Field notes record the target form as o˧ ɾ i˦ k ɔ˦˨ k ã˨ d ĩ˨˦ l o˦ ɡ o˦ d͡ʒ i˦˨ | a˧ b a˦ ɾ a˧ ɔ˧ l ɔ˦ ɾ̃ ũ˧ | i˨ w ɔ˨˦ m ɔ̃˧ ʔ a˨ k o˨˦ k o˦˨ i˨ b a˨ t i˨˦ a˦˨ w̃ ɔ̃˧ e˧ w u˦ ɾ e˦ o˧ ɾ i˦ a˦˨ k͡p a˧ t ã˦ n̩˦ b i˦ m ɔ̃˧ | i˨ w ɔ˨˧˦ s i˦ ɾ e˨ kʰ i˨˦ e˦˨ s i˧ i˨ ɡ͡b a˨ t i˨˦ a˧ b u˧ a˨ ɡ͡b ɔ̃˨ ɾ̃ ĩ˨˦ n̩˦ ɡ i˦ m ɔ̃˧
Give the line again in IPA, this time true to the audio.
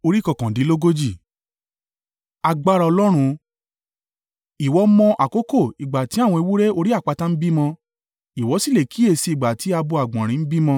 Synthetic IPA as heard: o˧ ɾ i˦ k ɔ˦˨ k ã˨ d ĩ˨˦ l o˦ ɡ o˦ d͡ʒ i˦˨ | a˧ ɡ͡b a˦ ɾ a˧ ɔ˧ l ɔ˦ ɾ̃ ũ˧ | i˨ w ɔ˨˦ m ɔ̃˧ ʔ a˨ k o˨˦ k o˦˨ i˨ ɡ͡b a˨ t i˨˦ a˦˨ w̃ ɔ̃˧ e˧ w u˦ ɾ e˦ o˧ ɾ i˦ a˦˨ k͡p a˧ t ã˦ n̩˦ b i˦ m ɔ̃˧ | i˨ w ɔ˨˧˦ s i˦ l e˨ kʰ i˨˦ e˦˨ s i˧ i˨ ɡ͡b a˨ t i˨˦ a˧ b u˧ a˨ ɡ͡b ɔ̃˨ ɾ̃ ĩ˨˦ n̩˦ b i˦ m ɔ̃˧

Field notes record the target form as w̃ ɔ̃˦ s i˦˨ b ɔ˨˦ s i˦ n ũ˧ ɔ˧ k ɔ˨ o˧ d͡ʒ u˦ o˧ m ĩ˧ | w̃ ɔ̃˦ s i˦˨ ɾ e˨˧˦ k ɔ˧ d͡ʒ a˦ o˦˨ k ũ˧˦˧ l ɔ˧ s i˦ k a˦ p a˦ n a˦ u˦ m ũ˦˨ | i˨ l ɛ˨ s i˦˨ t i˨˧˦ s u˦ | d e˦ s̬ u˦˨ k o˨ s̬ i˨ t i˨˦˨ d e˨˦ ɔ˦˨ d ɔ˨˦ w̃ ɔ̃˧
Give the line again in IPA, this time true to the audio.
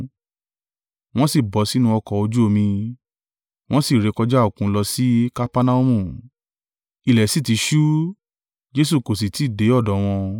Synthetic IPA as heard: w̃ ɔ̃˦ s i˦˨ b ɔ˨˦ s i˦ n ũ˧ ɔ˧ k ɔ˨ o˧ d͡ʒ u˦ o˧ m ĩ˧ | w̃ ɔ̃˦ s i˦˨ ɾ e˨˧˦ k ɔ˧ d͡ʒ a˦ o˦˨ k ũ˧˦˧ l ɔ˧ s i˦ k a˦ p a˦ n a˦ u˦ m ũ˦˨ | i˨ l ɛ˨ s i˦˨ t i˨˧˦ ʃ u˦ | d͡ʒ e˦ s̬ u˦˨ k o˨ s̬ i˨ t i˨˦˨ d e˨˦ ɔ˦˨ d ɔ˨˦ w̃ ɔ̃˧

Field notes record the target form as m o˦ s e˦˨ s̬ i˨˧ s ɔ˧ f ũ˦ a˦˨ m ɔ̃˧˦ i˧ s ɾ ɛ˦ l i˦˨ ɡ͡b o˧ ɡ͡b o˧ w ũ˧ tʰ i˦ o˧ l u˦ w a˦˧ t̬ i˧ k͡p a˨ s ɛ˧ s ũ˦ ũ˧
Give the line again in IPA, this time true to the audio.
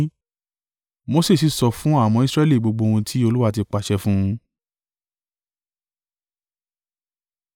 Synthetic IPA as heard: m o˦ s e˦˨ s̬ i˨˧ s ɔ˧ f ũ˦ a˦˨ m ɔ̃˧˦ i˧ s ɾ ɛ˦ l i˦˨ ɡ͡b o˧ ɡ͡b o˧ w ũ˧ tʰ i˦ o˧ l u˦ w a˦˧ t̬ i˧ k͡p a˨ ʃ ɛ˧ f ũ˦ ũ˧

